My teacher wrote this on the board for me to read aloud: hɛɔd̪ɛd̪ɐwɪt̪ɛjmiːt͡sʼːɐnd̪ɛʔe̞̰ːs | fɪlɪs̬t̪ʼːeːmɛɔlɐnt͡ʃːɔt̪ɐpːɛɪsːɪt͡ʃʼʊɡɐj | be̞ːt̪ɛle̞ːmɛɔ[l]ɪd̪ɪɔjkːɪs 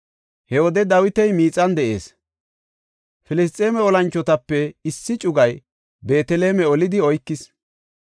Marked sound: correct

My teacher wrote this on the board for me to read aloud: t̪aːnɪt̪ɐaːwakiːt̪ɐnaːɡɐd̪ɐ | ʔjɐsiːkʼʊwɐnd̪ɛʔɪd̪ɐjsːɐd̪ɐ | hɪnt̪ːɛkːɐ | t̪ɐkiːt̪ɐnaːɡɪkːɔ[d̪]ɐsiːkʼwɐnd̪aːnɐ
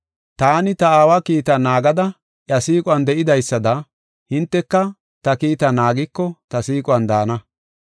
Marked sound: incorrect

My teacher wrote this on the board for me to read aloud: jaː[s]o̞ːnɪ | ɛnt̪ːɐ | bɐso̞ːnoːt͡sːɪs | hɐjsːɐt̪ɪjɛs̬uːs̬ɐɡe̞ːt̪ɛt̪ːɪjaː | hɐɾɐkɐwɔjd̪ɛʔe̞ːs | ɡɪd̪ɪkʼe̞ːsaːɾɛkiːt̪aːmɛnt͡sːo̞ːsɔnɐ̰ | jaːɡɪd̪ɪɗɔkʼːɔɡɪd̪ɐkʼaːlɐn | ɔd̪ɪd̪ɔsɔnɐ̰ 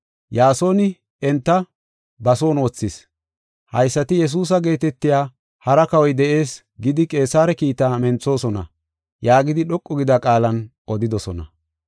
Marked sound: correct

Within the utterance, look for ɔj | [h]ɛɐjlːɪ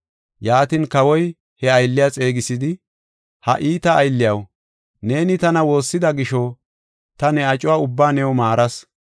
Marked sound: correct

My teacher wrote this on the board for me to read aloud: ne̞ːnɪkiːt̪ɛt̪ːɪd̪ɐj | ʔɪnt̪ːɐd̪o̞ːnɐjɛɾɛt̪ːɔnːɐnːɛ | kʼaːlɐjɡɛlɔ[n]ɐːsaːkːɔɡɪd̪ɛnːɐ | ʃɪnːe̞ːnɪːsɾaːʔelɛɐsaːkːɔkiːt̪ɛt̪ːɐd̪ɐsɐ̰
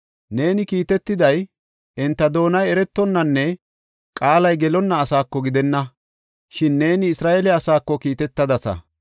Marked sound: incorrect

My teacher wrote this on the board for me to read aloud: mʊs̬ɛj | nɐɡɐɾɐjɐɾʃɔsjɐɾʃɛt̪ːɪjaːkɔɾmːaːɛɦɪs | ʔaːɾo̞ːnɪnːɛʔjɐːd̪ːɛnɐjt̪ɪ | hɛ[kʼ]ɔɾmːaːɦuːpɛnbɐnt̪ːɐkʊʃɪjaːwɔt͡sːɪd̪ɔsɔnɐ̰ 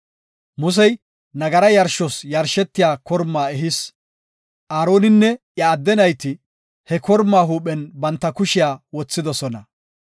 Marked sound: incorrect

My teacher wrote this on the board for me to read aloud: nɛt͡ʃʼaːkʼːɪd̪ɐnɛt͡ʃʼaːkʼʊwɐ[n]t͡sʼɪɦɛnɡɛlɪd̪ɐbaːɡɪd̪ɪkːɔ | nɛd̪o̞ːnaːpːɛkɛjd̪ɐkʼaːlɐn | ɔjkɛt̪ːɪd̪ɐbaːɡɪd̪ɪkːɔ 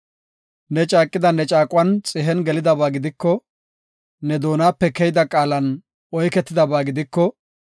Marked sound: correct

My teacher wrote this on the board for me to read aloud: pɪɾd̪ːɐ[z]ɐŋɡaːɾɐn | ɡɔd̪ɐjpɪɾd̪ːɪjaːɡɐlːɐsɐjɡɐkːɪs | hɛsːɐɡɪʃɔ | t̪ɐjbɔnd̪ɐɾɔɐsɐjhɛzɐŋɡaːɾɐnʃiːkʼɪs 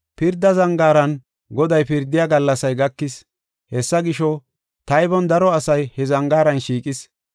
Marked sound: correct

